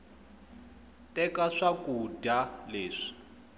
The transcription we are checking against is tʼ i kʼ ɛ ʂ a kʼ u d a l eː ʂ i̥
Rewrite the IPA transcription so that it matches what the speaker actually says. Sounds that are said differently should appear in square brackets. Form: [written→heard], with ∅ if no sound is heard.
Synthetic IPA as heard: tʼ [i→ɛ] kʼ [ɛ→a] ʂ a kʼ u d a l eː ʂ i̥